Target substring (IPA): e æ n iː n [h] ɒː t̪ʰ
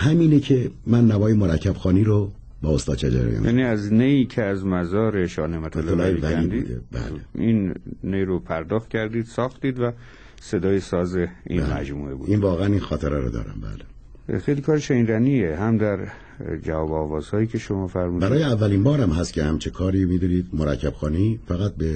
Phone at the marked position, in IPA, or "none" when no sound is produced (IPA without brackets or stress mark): x